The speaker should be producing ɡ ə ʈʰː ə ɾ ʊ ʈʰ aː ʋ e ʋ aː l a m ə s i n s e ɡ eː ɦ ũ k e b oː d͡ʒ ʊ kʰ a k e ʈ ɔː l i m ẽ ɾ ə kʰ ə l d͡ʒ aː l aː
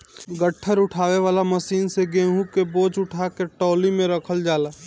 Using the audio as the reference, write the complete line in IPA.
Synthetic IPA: ɡ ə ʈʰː ə ɾ ʊ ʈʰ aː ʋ e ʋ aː l a m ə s iː n s e ɡ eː ɦ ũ k e b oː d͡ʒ ʊ ʈʰ a k e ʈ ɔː l i m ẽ ɾ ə kʰ ə l d͡ʒ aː l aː